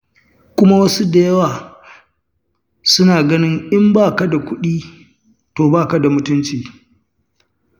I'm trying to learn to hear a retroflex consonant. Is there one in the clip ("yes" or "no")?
no